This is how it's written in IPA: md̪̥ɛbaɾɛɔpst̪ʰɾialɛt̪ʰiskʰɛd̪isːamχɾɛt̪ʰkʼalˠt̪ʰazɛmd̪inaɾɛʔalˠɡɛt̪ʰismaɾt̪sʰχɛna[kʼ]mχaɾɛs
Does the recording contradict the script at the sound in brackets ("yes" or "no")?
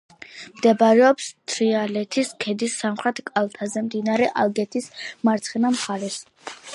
yes